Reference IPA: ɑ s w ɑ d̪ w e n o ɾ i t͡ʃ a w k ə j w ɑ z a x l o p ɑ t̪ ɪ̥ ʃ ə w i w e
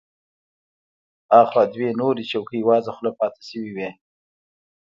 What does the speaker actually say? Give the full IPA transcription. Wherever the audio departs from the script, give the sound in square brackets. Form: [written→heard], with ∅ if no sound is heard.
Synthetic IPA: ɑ [s→x] w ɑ d̪ w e n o ɾ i t͡ʃ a w k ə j w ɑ z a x l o p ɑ t̪ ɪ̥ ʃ ə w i w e